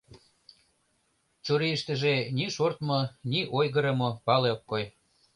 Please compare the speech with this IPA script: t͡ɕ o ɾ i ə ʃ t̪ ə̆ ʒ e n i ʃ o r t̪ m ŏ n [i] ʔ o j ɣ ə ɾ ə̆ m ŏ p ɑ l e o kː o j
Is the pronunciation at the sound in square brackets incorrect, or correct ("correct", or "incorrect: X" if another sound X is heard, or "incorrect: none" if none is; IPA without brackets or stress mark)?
correct